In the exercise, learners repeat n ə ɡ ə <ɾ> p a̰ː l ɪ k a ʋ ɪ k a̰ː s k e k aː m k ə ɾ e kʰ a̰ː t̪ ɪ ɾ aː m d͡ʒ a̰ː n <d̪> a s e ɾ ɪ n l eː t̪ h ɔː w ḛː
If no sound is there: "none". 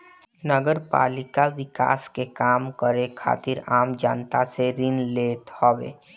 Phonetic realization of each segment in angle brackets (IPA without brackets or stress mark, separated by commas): ɾ, t̪